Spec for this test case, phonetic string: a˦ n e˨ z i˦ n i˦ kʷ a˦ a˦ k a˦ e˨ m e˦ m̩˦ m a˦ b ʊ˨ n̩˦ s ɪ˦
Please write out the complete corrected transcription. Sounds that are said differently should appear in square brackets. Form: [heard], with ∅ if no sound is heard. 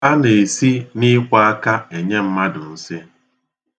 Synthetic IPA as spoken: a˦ n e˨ [s] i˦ n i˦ kʷ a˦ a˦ k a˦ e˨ [ɲ] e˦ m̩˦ m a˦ [d] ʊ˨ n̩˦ s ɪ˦